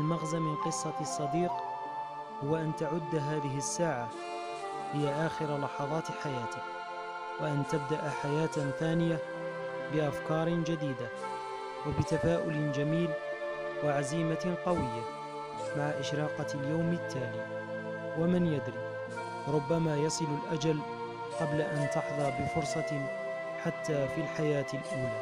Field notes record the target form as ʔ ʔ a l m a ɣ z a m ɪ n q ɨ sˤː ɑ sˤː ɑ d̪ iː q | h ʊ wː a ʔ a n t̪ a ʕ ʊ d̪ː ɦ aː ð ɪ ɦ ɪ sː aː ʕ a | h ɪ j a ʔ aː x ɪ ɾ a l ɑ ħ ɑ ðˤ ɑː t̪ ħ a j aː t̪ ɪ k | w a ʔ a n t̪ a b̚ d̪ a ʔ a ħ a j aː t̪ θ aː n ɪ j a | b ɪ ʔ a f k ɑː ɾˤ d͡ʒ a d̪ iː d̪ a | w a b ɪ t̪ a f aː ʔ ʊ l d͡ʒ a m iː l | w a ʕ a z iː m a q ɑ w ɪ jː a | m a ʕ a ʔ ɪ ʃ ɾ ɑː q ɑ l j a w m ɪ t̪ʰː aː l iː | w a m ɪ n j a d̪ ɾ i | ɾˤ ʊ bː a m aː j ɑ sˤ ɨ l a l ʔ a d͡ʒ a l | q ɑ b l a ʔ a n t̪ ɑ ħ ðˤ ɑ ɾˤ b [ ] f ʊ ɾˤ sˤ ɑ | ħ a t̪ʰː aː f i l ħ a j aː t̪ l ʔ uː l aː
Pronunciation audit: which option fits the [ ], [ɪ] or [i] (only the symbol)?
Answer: ɪ